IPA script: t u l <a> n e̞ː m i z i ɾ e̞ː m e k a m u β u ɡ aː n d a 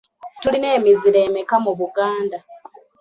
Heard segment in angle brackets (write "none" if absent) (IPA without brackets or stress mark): i